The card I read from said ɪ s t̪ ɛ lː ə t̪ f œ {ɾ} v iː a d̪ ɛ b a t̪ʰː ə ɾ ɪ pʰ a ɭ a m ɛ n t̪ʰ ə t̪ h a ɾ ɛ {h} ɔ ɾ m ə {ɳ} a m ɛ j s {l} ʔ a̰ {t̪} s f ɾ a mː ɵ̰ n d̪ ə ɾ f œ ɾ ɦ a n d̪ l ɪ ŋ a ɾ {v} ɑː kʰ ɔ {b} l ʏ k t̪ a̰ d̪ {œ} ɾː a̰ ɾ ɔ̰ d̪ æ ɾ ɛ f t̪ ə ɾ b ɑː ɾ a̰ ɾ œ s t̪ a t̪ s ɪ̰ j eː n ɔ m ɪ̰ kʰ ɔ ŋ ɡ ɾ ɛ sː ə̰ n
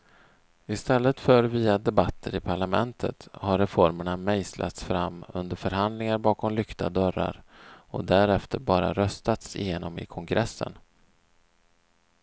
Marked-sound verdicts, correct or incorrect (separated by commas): correct, incorrect, correct, correct, correct, incorrect, incorrect, correct